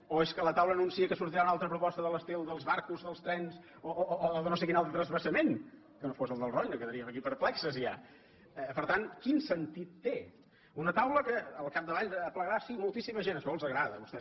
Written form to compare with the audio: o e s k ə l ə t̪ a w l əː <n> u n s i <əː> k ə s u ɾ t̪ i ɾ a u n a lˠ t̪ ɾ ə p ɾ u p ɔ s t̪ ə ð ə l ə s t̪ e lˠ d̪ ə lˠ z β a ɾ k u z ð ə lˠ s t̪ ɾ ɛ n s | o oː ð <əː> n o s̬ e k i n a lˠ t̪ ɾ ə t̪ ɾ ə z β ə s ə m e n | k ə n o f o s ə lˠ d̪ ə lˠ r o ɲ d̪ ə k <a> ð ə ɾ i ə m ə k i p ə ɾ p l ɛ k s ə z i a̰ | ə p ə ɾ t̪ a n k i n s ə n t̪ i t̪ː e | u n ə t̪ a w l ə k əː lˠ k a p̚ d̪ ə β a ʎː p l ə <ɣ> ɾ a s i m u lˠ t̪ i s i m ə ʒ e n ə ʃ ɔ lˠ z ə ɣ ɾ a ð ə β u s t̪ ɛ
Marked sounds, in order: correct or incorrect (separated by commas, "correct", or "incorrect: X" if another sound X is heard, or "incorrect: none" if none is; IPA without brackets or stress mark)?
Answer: correct, incorrect: ə, incorrect: ə, incorrect: ə, correct